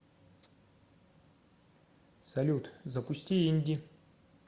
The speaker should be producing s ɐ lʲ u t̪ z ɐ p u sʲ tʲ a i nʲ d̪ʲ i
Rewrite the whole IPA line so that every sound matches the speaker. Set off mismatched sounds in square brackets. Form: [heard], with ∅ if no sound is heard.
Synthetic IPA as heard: s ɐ lʲ u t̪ z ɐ p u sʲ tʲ [i] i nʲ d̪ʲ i